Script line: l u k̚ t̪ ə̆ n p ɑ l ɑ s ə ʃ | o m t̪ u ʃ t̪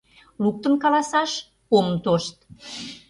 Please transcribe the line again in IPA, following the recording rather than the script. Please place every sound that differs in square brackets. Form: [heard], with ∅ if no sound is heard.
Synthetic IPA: l u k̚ t̪ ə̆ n [k] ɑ l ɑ s [ɑ] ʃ | o m t̪ [o] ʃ t̪